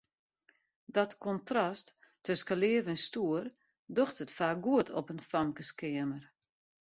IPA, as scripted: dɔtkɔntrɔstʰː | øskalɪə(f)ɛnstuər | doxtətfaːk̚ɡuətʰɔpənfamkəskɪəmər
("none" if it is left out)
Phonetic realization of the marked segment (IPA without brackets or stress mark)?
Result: v